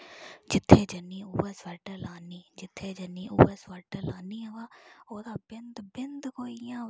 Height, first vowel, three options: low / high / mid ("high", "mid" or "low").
high